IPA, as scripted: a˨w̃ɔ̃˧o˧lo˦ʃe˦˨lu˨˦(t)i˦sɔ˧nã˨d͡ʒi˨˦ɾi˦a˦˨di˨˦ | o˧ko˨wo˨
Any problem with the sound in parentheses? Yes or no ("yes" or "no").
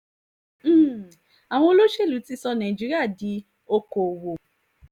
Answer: no